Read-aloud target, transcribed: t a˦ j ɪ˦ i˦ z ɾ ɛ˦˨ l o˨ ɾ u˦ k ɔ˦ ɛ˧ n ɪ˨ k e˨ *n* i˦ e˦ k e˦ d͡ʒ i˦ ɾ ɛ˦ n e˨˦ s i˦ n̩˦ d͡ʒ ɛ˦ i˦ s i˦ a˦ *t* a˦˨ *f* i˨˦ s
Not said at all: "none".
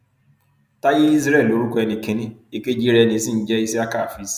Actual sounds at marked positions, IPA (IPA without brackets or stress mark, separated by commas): n, k, f